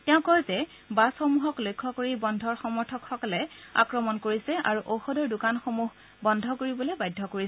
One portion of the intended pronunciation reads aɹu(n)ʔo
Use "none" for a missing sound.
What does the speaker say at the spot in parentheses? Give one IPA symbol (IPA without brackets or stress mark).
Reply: none